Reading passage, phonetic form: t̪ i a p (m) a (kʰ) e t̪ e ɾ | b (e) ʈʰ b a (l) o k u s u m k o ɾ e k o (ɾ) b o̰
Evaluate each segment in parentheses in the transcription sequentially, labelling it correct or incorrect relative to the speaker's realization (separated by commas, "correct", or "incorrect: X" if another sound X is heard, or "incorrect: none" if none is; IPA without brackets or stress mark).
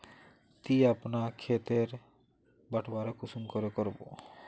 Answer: incorrect: n, correct, incorrect: a, incorrect: ɾ, correct